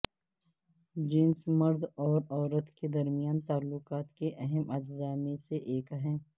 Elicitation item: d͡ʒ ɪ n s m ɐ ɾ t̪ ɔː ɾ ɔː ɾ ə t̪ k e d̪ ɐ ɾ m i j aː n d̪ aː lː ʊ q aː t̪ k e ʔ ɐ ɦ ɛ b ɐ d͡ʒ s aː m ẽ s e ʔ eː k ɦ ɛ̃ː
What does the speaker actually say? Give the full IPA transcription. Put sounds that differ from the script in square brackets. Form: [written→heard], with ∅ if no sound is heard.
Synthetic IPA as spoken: d͡ʒ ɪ n s m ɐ ɾ [t̪→d̪] ɔː ɾ ɔː ɾ ə t̪ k e d̪ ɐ ɾ m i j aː n [d̪→t̪] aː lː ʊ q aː t̪ k e ʔ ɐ ɦ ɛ [b→m] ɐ d͡ʒ [s→z] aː m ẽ s e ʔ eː k ɦ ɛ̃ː